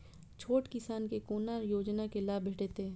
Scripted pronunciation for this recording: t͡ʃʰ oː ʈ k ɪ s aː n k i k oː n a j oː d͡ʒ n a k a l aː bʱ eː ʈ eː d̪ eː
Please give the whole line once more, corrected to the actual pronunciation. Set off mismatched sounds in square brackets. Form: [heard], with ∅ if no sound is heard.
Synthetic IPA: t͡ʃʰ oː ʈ k ɪ s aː n k [e] k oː n a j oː d͡ʒ n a k [e] l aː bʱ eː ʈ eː [t̪] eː